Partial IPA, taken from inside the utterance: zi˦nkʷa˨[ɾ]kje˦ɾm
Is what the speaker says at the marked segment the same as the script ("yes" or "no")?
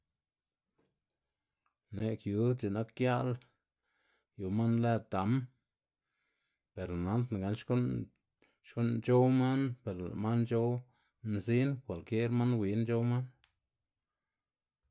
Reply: no